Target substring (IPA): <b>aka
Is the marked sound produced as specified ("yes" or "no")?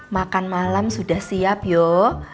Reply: no